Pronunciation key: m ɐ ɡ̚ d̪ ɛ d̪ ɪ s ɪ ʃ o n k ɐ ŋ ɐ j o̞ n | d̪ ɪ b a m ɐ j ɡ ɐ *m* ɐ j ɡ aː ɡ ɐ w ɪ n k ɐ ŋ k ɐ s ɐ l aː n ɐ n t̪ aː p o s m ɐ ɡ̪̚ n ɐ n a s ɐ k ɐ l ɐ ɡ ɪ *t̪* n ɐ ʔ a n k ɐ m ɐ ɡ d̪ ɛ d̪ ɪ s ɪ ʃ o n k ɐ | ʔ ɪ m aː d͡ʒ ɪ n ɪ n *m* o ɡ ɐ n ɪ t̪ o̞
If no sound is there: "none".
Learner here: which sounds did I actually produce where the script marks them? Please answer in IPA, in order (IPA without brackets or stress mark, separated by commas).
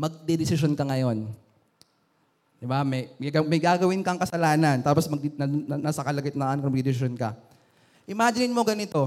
m, t̪, m